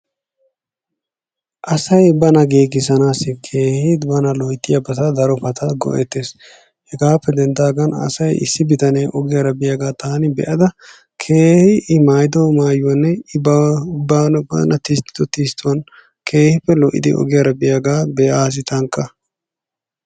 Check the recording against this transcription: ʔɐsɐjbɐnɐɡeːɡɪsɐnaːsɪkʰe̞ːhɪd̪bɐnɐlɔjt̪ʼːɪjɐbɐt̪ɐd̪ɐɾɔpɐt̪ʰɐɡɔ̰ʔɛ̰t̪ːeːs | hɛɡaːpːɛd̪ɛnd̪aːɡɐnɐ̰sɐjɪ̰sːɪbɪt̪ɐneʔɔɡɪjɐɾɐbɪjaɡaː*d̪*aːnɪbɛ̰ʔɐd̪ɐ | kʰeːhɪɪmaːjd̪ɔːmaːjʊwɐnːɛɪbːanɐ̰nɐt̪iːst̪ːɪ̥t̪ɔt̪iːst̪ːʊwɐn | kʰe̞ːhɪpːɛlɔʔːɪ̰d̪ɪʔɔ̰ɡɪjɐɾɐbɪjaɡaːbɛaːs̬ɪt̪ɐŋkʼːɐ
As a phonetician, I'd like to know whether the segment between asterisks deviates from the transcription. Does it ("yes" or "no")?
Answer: yes